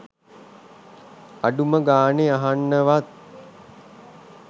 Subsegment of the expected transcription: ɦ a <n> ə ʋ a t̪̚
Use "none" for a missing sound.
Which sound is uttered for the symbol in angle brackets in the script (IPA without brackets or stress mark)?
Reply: nː